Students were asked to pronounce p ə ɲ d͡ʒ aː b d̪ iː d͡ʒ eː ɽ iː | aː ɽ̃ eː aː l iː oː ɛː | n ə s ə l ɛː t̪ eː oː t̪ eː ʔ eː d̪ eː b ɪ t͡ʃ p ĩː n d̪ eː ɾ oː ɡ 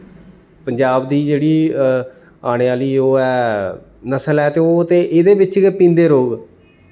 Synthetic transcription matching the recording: p ə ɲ d͡ʒ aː b d̪ iː d͡ʒ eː ɽ iː | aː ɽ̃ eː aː l iː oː ɛː | n ə s ə l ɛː t̪ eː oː t̪ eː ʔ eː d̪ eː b ɪ t͡ʃ p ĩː n d̪ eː ɾ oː ɡ